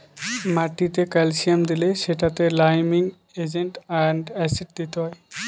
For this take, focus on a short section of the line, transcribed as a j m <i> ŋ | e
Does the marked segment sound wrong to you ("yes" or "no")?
no